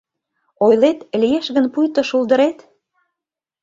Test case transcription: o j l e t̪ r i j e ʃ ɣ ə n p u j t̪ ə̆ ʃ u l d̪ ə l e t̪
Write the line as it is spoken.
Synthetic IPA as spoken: o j l e t̪ l i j e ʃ ɣ ə n p u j t̪ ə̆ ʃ u l d̪ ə ɾ e t̪